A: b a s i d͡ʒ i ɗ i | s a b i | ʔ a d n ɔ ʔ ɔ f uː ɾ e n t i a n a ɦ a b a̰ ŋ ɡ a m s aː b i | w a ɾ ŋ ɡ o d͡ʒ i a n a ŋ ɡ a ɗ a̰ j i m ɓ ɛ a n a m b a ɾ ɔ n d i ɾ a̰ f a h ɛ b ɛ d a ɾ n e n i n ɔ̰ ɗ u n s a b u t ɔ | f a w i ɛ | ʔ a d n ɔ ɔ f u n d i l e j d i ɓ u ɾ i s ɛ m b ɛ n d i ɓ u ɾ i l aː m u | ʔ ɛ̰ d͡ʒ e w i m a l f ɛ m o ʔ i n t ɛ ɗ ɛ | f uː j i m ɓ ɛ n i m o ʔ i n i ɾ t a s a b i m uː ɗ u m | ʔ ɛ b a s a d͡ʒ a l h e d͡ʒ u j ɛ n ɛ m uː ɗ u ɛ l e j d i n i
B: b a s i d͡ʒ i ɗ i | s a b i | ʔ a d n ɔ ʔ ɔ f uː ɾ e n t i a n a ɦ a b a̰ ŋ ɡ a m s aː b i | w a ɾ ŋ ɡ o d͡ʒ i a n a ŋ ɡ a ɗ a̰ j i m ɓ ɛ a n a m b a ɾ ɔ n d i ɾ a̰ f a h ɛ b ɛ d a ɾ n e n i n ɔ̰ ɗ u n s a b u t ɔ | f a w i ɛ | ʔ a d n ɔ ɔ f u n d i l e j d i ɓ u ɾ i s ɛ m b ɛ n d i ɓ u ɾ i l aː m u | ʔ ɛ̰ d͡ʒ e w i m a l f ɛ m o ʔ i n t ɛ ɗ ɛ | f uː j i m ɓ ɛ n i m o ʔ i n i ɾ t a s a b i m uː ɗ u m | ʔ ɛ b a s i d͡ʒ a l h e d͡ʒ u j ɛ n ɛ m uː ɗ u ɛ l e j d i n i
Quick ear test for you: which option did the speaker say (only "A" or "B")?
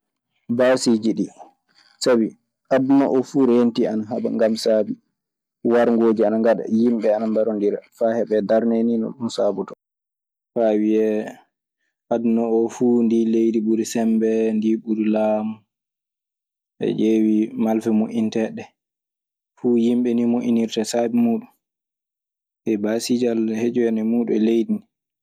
B